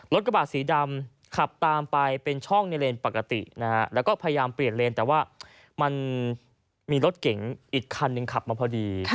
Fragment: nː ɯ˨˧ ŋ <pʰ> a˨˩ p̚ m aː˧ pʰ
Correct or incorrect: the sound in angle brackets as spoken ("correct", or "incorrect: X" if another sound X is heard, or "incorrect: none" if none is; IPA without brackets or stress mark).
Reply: incorrect: kʰ